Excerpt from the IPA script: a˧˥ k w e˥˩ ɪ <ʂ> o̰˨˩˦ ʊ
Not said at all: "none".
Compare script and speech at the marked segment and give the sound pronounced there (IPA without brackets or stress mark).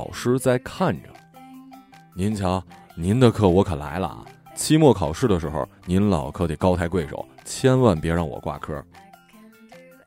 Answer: ʂ